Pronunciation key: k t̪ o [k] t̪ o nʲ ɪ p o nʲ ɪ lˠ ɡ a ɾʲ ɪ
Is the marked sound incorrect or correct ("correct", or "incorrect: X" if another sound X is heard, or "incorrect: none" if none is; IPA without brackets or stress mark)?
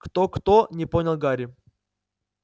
correct